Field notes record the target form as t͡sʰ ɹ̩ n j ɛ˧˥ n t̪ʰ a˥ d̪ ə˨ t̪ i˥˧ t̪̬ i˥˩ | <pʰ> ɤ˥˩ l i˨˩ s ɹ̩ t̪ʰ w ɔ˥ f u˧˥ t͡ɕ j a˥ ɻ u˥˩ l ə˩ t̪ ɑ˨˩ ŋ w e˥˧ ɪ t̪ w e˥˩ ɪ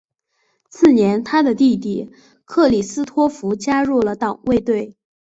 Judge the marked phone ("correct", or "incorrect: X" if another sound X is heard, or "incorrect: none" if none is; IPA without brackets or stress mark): incorrect: kʰ